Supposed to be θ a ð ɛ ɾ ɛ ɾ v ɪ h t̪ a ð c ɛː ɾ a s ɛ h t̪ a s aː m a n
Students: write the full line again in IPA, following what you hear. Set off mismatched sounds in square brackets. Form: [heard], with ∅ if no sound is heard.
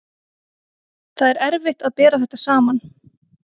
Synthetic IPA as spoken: θ a ð ɛ ɾ ɛ ɾ v ɪ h t̪ a ð [p] ɛː ɾ a [θ] ɛ h t̪ a s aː m a n